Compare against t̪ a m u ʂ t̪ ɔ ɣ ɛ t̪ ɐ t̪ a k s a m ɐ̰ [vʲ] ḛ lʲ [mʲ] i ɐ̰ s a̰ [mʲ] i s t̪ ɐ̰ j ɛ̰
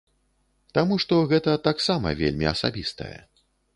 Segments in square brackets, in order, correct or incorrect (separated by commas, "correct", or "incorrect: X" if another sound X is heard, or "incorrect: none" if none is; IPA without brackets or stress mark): correct, correct, incorrect: bʲ